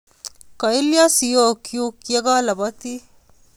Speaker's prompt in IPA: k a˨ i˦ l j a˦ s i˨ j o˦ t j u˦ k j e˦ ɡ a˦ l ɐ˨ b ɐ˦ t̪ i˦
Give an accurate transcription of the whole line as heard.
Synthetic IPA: k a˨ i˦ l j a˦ s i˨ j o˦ k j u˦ k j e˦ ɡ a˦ l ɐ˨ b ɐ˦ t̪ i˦